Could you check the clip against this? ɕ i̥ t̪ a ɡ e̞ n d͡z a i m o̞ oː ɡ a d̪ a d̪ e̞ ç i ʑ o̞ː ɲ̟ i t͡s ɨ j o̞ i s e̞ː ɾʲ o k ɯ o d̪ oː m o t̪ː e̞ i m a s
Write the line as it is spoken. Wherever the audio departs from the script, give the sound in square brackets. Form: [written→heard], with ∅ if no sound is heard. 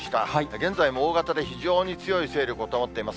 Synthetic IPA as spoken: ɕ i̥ t̪ a ɡ [e̞→ẽ̞] n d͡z a i m o̞ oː ɡ a [d̪→t̪] a d̪ e̞ ç i ʑ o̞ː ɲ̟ i t͡s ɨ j o̞ i s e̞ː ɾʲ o k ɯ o [d̪→t̪] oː m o t̪ː e̞ i m a s